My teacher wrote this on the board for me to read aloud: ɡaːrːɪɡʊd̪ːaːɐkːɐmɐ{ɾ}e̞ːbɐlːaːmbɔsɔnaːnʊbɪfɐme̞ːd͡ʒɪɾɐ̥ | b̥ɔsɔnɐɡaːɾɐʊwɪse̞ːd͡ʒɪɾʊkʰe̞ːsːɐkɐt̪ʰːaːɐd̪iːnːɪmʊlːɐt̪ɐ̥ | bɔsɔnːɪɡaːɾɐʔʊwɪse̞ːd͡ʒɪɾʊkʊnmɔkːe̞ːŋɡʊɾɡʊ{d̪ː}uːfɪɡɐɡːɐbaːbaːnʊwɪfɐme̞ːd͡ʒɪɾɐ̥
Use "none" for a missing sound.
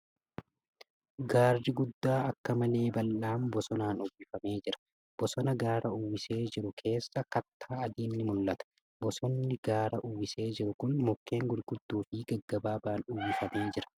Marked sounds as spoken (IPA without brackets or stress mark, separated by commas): l, d̪ː